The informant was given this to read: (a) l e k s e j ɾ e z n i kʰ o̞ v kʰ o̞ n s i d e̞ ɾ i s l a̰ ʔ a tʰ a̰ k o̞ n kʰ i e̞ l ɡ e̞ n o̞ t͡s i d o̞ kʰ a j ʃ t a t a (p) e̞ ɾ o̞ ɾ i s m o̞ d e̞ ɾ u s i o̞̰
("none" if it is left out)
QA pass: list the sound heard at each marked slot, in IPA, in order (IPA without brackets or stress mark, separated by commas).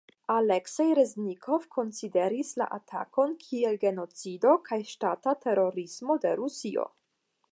a, t